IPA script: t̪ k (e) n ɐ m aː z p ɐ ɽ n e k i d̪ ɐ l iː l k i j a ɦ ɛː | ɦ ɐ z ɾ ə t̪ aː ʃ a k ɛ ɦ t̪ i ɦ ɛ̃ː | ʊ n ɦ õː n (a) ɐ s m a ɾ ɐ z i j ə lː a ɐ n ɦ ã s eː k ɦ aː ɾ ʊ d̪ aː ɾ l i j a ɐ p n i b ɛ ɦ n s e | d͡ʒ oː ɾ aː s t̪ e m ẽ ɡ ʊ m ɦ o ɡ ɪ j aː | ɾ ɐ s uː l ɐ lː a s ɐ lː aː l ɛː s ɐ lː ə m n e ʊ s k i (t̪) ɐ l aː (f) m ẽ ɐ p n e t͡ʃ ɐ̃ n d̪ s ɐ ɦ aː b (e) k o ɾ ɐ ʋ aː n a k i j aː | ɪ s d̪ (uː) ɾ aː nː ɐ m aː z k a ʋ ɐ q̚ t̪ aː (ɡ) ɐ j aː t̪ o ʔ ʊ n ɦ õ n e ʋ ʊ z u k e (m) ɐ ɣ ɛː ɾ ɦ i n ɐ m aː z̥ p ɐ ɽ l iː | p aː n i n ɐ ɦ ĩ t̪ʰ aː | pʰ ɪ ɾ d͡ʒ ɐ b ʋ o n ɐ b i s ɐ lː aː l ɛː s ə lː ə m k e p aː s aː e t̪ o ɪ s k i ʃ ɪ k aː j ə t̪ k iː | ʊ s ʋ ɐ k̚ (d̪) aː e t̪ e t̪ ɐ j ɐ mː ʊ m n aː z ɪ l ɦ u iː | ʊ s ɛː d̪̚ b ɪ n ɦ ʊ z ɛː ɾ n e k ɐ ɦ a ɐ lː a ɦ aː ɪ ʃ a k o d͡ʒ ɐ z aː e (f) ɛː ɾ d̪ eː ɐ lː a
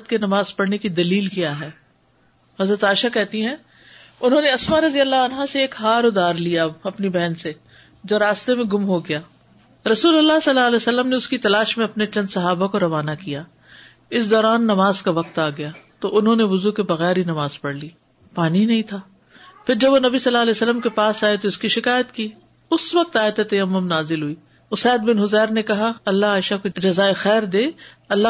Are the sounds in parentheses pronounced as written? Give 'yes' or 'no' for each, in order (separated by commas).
yes, no, yes, no, no, no, yes, no, no, no